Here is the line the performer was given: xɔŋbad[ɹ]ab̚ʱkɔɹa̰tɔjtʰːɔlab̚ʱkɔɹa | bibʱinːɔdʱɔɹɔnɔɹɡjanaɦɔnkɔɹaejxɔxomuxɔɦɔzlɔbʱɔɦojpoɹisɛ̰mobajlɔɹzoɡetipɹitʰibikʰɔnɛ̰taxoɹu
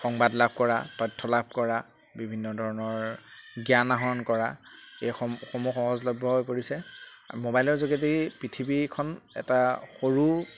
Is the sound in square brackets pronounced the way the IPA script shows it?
no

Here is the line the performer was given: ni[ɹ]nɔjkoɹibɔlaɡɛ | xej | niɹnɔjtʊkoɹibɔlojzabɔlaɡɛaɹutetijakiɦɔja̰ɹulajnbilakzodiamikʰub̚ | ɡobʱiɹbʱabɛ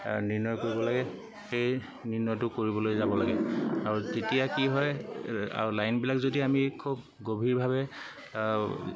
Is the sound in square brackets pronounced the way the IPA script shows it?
yes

